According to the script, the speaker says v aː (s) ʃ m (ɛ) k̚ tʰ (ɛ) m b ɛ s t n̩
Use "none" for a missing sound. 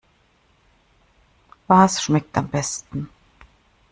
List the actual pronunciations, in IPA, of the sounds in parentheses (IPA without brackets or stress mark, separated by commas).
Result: s, ɛ, a